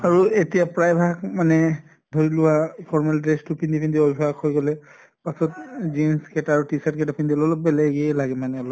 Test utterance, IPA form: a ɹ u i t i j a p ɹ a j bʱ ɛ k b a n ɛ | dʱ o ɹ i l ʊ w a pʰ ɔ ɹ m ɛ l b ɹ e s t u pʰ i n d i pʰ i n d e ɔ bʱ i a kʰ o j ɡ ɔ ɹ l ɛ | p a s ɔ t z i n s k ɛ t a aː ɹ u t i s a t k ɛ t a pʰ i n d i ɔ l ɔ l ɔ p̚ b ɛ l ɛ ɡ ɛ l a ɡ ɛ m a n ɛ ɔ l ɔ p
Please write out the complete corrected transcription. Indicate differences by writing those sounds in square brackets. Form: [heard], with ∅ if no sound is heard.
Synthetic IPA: a ɹ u [e] t i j a p ɹ a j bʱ [a] k [m] a n ɛ | dʱ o ɹ i l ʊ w a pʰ ɔ ɹ m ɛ l [d] ɹ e s t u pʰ i n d i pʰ i n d [i] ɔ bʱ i a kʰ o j ɡ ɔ [∅] l ɛ | p a s ɔ t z i n s k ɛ t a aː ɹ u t i s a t k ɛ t a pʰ i n d i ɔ l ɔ l ɔ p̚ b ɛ l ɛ ɡ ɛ l a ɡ ɛ m a n ɛ ɔ l ɔ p